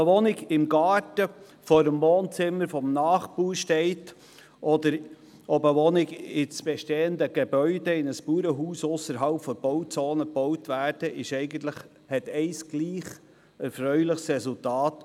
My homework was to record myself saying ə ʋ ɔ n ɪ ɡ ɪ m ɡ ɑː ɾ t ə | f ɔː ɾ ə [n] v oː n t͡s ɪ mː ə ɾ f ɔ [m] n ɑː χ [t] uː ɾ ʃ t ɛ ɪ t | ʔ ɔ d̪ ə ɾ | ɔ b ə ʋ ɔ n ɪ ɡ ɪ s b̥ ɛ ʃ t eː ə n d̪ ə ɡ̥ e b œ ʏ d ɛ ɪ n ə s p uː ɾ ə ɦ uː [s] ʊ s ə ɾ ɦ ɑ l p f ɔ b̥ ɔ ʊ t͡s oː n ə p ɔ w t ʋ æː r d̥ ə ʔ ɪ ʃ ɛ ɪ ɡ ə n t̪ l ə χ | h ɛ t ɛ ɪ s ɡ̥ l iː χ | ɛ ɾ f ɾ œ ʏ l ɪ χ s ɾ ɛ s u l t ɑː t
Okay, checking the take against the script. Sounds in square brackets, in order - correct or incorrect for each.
incorrect, correct, incorrect, correct

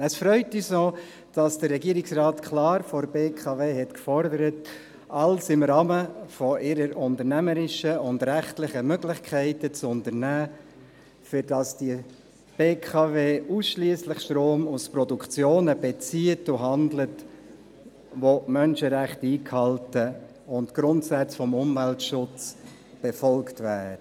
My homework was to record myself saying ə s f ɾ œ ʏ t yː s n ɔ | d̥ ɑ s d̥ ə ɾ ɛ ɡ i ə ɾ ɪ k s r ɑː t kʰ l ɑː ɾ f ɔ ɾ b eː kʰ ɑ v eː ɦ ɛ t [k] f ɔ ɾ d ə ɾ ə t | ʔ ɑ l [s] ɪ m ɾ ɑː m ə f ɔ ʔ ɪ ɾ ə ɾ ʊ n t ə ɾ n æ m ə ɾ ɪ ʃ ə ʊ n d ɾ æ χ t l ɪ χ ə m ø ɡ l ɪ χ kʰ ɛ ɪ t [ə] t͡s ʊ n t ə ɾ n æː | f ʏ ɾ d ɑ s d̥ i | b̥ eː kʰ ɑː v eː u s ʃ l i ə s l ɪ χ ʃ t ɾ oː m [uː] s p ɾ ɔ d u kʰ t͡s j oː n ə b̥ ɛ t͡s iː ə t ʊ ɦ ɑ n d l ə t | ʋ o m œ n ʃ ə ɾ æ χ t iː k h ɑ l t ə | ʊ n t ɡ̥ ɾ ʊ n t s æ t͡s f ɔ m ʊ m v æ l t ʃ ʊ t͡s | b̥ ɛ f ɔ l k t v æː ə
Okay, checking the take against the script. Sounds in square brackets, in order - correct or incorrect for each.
correct, correct, correct, incorrect

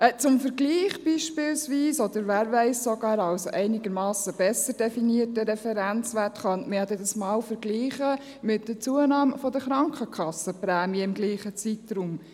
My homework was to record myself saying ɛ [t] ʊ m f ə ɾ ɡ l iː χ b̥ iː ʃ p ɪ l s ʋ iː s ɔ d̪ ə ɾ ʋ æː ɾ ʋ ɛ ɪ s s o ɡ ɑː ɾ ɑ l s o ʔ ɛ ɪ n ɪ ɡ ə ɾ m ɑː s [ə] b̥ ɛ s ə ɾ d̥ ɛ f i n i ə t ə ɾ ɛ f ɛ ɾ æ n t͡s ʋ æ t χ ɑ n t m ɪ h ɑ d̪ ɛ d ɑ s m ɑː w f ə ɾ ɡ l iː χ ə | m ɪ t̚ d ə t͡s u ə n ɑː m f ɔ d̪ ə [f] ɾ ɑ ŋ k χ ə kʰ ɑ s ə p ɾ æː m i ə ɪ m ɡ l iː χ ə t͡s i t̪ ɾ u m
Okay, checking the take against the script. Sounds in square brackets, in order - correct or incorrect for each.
incorrect, correct, incorrect

